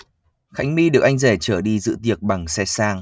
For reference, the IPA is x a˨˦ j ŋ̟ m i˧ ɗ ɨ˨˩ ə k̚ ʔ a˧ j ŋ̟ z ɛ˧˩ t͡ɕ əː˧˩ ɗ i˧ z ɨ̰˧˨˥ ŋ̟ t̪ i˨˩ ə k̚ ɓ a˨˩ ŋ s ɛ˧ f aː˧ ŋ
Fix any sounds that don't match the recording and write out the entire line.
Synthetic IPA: x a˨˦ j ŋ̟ m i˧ ɗ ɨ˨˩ ə k̚ ʔ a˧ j ŋ̟ z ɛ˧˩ t͡ɕ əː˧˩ ɗ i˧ z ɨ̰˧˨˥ t̪ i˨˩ ə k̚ ɓ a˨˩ ŋ s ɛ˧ s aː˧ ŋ